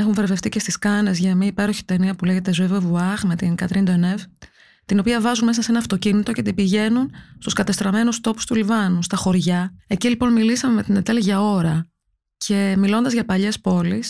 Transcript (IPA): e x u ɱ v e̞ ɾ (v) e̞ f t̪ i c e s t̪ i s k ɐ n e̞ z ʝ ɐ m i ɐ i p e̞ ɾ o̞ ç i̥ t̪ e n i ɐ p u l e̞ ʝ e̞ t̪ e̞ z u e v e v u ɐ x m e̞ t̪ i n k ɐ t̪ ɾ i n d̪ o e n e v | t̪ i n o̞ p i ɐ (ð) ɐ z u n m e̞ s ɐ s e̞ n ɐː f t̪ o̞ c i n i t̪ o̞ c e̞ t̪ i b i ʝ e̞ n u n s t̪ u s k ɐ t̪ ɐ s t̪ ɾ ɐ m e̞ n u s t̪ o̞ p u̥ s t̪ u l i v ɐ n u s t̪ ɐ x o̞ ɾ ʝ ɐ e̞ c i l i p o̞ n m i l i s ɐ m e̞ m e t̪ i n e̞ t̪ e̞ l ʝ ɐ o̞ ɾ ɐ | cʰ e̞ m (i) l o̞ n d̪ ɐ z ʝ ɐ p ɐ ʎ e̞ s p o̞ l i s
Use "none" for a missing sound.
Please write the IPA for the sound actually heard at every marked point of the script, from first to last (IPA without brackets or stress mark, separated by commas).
v, v, i